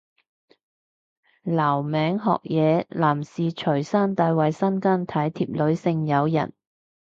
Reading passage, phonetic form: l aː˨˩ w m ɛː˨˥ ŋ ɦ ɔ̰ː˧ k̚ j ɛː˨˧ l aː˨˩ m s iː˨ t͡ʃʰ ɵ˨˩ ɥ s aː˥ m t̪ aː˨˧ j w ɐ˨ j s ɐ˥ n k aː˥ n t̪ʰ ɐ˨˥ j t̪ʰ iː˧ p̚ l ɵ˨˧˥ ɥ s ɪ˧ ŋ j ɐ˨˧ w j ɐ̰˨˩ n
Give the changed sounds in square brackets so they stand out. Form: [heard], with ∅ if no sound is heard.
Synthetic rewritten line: l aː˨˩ w m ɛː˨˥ ŋ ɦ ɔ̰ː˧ k̚ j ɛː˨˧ l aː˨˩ m s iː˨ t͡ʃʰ ɵ˨˩ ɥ s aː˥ [n] t̪ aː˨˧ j w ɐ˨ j s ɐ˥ n k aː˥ n t̪ʰ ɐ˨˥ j t̪ʰ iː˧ p̚ l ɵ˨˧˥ ɥ s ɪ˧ ŋ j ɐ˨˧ w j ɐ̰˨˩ n